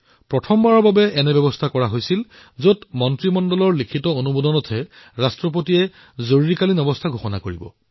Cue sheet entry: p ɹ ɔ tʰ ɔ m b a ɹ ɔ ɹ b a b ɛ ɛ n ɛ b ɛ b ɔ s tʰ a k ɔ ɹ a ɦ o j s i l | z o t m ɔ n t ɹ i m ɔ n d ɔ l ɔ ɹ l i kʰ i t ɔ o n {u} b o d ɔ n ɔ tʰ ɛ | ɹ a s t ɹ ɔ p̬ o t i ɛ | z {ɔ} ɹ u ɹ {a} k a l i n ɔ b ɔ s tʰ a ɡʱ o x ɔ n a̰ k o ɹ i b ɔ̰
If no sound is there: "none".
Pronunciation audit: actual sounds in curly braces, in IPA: u, o, i

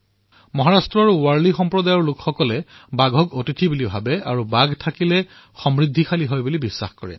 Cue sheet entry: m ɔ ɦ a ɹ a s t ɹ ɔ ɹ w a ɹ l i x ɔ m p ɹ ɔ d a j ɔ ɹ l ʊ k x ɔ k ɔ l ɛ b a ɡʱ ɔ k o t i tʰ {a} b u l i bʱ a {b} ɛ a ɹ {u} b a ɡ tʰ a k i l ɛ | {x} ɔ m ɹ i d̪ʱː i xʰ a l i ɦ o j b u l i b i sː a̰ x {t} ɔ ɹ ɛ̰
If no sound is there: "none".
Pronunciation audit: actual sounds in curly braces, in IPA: i, b, u, x, k

